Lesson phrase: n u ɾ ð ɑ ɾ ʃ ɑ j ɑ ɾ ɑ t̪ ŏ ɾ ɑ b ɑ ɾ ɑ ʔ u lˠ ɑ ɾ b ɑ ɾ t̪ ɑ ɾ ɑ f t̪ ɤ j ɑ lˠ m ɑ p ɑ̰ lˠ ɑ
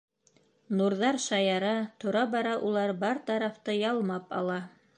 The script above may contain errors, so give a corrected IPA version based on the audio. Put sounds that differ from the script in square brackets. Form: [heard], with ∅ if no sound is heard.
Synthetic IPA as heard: n u ɾ ð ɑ ɾ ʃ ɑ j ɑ ɾ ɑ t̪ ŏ ɾ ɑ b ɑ ɾ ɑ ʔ u lˠ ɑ ɾ b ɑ ɾ t̪ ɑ ɾ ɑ f t̪ ɤ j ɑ lˠ m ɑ p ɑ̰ lˠ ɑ